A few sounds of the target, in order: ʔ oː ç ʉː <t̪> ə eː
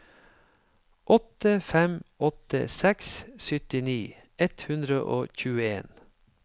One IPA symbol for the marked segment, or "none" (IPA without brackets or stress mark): none